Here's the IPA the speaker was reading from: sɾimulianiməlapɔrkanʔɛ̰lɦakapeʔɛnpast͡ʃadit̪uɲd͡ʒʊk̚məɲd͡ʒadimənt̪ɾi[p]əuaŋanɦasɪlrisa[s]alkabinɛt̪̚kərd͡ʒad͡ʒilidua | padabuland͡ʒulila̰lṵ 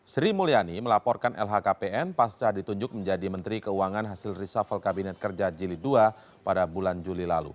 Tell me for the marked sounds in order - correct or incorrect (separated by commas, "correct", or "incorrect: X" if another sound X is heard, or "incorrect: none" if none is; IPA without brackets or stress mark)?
incorrect: k, incorrect: f